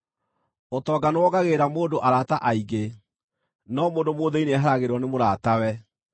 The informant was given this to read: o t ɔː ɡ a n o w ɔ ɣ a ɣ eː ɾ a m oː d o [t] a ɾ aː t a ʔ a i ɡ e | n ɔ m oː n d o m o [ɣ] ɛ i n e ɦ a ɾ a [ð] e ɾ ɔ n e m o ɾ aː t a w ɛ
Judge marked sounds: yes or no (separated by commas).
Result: no, no, no